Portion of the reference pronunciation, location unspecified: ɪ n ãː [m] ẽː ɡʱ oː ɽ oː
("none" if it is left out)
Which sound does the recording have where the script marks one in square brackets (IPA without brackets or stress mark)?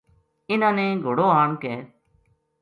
n